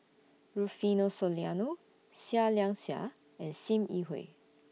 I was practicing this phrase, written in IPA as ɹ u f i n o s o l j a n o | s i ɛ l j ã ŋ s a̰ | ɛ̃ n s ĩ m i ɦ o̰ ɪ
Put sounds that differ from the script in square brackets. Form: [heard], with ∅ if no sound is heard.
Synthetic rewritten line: ɹ u f i n o s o l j a n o | s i [a] l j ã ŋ s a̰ | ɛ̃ n s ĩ m i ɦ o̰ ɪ